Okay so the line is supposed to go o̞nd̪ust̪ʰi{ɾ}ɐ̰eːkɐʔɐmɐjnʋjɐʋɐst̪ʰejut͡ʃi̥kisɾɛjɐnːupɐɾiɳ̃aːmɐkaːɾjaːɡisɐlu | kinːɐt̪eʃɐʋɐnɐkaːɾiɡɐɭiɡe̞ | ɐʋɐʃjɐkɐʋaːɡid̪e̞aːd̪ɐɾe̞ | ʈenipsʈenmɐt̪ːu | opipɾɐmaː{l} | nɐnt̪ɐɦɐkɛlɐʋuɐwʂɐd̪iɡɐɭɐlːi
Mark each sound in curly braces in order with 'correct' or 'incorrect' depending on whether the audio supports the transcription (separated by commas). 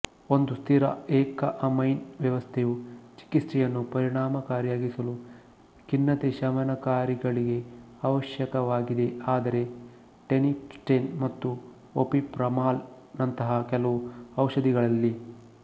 correct, correct